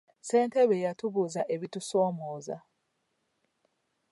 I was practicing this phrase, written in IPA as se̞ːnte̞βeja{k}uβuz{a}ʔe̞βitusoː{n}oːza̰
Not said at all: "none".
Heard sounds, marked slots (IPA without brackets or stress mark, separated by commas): t, a, m